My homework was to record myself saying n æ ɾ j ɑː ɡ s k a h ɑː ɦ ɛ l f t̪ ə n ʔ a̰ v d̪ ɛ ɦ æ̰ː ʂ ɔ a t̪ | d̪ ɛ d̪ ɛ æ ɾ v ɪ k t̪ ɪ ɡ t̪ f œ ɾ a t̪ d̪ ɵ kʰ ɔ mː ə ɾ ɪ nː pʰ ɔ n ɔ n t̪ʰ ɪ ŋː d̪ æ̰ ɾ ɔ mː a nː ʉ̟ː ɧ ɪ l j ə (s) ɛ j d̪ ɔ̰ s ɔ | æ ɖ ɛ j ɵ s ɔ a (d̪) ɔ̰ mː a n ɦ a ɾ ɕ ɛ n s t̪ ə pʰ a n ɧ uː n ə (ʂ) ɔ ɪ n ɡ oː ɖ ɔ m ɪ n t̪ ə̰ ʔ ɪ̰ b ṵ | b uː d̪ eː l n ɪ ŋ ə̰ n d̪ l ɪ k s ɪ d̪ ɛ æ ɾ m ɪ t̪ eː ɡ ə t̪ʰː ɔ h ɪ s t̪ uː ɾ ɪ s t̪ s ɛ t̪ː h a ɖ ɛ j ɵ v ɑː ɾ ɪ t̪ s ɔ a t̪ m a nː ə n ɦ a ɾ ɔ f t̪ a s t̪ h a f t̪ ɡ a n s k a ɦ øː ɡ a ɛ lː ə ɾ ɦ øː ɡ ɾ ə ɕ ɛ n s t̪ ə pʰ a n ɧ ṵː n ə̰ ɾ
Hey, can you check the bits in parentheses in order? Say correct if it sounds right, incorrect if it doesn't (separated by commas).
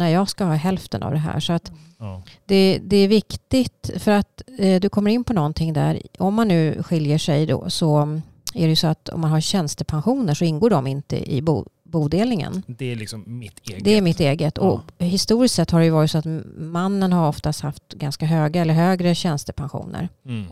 incorrect, incorrect, correct